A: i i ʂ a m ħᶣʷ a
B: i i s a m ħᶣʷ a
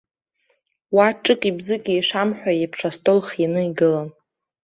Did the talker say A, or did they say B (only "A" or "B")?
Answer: A